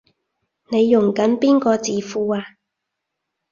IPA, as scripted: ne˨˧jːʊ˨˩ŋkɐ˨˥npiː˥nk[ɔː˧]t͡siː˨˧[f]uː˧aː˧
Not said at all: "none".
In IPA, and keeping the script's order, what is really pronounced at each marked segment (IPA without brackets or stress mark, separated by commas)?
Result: ɔː˧, f